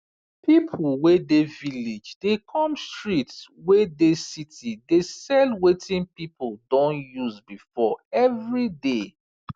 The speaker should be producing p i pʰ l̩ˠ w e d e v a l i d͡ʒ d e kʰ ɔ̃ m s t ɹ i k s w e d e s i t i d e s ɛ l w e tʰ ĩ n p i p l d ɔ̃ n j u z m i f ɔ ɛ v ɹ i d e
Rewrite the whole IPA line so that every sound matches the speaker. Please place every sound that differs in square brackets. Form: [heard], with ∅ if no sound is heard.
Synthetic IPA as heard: p i pʰ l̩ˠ w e d e v [i] l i d͡ʒ d e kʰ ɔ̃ m s t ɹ i [t] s w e d e s i t i d e s ɛ l w e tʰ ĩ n p i p l d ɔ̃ n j u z [b] i f ɔ ɛ v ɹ i d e